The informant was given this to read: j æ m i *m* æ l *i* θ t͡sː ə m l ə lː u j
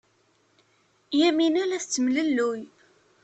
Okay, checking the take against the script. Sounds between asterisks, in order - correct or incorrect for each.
incorrect: n, incorrect: æ

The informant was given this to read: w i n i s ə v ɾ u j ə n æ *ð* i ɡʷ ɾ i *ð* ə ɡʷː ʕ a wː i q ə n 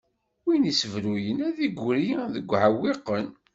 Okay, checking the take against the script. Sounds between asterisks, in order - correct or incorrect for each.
correct, correct

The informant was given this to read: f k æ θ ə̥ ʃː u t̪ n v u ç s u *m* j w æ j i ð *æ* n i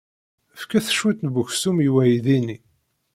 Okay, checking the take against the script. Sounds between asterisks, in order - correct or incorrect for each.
correct, incorrect: i

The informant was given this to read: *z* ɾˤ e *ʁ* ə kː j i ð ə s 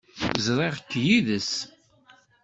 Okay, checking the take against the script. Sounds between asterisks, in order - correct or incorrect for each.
correct, correct

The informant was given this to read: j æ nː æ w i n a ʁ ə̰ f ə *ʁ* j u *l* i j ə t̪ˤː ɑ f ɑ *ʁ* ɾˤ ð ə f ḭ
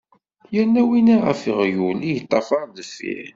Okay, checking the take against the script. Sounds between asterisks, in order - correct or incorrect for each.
correct, correct, incorrect: none

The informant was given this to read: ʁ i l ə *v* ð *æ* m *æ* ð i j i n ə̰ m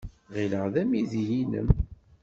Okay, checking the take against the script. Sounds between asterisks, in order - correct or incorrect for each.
incorrect: ʁ, correct, incorrect: i

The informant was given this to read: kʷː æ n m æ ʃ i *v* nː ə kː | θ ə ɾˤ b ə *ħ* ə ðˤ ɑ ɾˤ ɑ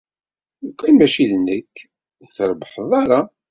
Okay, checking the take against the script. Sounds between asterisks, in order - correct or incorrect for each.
incorrect: ð, correct

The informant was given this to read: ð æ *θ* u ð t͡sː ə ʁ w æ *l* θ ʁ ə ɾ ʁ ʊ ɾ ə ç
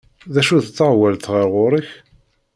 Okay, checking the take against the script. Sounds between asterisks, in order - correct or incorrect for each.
incorrect: ʃ, correct

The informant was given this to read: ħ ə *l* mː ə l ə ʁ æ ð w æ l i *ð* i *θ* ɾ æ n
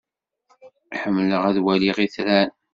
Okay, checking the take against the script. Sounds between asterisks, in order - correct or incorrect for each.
incorrect: none, incorrect: ʁ, correct

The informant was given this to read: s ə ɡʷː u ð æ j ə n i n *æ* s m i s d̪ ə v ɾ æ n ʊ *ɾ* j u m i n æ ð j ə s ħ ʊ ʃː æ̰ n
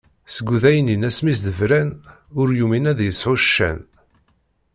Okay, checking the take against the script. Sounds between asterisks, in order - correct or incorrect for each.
correct, correct

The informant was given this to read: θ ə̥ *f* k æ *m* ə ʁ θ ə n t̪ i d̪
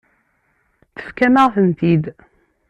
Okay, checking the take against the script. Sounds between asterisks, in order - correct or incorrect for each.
correct, correct

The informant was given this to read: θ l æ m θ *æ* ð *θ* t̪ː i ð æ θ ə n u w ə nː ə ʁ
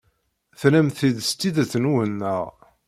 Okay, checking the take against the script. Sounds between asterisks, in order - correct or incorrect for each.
incorrect: i, incorrect: s

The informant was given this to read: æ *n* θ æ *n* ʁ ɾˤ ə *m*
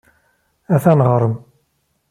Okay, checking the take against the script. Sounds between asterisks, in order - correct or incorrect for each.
incorrect: none, correct, correct

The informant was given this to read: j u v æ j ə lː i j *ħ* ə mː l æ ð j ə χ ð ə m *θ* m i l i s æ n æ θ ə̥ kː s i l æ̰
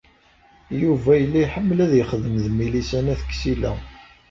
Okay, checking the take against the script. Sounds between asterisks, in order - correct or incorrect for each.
correct, incorrect: ð

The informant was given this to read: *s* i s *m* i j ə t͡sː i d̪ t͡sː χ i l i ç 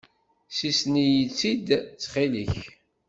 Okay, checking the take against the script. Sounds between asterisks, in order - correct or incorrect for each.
correct, incorrect: n

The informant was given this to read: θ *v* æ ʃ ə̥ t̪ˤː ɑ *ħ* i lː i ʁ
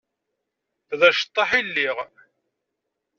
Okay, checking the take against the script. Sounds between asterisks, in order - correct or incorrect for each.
incorrect: ð, correct

